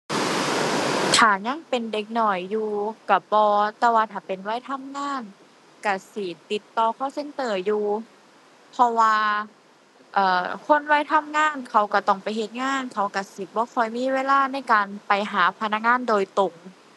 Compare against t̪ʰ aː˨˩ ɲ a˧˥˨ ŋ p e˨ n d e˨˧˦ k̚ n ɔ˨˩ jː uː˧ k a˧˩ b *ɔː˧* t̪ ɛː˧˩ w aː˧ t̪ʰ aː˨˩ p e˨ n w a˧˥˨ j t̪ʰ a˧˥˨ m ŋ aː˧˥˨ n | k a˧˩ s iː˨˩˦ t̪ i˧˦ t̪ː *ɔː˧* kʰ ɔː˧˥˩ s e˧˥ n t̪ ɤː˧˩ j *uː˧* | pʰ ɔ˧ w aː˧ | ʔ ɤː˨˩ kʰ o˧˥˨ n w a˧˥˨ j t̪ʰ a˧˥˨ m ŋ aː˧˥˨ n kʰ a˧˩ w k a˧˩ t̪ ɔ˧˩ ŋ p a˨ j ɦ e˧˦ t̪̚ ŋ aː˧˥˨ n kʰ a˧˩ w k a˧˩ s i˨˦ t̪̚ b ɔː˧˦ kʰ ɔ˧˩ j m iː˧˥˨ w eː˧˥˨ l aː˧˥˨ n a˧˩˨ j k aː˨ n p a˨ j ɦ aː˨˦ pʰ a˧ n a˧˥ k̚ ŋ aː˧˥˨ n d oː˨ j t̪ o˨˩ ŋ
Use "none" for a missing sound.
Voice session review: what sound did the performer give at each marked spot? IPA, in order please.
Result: ɔː˧, ɔː˧, uː˧

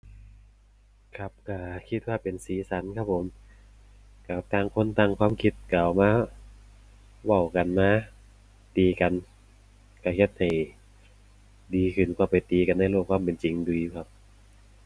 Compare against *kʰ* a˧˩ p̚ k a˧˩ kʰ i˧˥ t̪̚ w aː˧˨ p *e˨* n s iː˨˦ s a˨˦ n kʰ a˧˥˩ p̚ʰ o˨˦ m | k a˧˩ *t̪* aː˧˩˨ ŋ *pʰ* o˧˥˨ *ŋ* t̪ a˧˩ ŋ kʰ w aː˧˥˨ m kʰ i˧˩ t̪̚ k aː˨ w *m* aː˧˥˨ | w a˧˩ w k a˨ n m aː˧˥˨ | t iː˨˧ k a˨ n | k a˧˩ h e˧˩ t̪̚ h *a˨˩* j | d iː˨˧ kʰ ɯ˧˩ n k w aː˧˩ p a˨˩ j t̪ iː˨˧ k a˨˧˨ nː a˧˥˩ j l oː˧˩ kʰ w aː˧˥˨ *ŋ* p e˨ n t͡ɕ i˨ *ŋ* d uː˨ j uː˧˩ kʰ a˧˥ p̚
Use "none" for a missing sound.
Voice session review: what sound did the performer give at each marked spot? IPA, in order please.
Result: kʰ, e˨, t̪, kʰ, n, m, a˨˩, m, ŋ

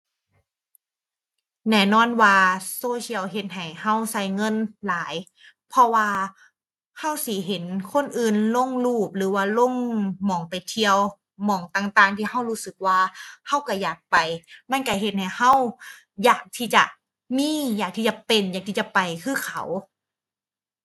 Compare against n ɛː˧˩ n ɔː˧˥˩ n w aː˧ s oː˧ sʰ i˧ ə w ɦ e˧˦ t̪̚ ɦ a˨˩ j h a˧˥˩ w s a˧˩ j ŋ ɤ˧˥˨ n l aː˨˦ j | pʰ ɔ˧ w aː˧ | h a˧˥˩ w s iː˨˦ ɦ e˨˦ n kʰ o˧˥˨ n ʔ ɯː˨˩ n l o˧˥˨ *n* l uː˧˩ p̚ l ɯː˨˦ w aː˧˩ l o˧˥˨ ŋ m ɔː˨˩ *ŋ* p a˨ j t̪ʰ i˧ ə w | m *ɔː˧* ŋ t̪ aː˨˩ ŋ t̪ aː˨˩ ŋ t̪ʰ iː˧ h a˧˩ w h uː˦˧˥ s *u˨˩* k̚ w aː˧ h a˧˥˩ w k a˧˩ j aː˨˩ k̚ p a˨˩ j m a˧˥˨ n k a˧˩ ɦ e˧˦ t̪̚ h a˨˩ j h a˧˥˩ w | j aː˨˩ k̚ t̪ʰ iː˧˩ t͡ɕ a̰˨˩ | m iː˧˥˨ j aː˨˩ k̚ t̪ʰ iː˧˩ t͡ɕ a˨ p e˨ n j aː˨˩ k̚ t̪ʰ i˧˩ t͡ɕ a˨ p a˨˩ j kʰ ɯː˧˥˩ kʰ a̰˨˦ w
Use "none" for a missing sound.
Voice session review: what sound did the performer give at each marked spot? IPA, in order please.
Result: ŋ, ŋ, ɔː˨˩, ɯ˨˩

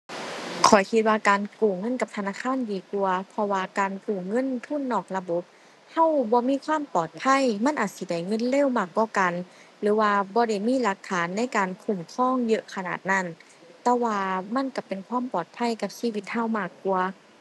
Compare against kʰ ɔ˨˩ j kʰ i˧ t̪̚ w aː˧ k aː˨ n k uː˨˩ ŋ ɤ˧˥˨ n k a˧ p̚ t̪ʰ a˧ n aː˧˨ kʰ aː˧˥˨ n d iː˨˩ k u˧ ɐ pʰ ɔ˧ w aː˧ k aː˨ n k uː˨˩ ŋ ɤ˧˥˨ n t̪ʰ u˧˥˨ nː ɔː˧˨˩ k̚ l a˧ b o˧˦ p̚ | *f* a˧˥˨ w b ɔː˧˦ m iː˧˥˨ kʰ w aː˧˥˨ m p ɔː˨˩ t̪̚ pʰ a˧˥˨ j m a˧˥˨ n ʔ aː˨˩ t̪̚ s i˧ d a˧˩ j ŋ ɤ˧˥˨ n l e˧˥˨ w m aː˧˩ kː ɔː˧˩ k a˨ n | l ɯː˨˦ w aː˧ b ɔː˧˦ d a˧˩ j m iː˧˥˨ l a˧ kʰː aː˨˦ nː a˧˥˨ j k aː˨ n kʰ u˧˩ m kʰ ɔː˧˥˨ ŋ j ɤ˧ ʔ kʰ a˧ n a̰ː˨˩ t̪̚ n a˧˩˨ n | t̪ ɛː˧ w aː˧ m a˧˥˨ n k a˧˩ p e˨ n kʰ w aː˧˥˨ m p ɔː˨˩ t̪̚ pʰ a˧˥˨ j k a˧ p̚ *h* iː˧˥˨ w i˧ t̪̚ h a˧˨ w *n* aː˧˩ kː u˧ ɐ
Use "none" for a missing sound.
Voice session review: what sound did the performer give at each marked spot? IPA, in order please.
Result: h, s, m

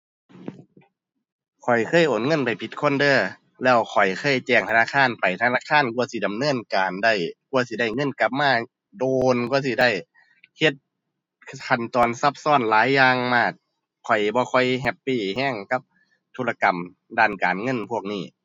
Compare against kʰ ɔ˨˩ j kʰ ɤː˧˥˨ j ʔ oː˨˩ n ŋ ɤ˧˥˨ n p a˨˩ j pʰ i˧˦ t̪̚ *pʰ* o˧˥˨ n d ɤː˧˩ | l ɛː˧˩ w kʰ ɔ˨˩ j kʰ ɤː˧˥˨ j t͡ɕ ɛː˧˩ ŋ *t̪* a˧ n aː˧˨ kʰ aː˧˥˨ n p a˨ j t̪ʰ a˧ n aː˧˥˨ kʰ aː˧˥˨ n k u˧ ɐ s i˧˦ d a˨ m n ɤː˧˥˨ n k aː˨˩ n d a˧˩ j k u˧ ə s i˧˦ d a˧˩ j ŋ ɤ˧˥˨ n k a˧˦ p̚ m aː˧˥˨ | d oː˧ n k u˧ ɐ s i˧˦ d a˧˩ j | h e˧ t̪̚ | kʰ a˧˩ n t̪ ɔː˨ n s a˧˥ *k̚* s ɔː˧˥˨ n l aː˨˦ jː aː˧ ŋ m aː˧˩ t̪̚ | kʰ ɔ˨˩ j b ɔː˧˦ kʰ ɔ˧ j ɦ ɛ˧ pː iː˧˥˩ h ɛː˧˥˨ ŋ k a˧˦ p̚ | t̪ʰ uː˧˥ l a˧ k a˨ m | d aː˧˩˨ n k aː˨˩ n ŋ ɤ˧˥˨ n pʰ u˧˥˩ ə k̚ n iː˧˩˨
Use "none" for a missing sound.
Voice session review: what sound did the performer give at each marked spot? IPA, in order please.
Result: kʰ, t̪ʰ, p̚

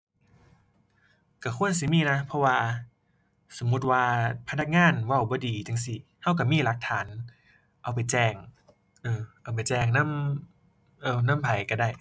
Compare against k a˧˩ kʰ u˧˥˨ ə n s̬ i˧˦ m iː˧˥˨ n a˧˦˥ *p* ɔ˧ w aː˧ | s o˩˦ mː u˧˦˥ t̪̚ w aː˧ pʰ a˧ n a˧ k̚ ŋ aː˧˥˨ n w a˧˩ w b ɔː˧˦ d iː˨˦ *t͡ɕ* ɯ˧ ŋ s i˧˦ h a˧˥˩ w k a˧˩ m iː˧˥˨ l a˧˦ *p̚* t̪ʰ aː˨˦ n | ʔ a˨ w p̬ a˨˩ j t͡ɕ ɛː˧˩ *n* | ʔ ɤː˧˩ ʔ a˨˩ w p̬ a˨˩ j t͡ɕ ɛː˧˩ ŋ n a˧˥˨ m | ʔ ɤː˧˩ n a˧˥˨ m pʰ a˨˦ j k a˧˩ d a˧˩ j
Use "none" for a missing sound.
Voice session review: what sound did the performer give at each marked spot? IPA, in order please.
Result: pʰ, t͡ɕ, k̚, ŋ

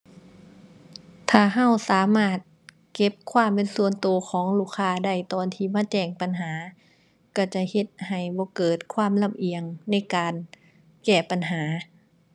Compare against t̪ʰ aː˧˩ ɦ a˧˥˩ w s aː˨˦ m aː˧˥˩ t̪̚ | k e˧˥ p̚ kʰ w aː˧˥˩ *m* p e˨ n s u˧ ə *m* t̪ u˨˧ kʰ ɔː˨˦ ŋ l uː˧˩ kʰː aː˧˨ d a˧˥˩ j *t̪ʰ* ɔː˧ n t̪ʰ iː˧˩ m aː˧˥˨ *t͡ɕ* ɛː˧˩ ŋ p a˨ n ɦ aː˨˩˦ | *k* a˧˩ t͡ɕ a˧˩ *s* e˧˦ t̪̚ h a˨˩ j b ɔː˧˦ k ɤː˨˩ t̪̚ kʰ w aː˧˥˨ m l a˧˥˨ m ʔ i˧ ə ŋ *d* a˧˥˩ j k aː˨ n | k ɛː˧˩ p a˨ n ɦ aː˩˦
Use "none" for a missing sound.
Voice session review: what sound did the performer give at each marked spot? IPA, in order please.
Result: m, n, t̪, t͡ɕ, k, h, n

